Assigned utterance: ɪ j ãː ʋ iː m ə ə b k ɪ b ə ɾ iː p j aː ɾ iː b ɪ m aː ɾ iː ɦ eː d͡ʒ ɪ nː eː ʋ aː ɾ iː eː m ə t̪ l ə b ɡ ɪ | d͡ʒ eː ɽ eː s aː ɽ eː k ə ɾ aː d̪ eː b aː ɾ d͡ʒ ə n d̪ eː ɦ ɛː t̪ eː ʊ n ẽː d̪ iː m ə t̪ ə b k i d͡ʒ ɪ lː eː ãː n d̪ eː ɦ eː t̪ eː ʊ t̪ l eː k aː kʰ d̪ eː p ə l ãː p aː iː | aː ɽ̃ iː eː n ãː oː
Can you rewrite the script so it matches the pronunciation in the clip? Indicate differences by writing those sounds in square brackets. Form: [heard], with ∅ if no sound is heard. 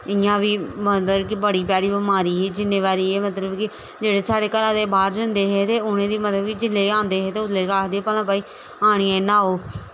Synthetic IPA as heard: ɪ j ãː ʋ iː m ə ə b k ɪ b ə [ɽ] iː p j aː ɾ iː b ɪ m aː ɾ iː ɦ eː d͡ʒ ɪ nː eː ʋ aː ɾ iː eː m ə t̪ l ə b [k] ɪ | d͡ʒ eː ɽ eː s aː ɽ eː k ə ɾ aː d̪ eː b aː ɾ d͡ʒ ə n d̪ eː ɦ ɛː t̪ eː ʊ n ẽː d̪ iː m ə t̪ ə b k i d͡ʒ ɪ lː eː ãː n d̪ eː ɦ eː t̪ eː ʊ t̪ l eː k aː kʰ d̪ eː p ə l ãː p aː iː | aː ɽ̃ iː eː n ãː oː